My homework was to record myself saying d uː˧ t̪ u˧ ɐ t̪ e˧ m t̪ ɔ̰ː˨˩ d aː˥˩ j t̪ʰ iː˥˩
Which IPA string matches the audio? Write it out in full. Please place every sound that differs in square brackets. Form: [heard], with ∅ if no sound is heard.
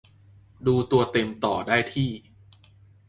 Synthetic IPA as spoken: d uː˧ t̪ u˧ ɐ t̪ e˧ m t̪ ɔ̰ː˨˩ d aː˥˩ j t̪ʰ iː˥˩